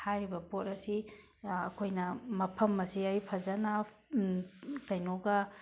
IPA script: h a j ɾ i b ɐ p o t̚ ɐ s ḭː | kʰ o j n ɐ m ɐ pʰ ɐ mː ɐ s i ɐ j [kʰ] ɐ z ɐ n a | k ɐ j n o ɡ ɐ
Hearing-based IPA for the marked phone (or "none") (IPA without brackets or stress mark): pʰ